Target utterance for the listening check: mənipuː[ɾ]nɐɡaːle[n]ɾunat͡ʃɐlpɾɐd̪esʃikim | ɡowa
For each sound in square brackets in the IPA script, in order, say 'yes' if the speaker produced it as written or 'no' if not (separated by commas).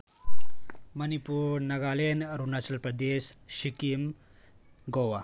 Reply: yes, yes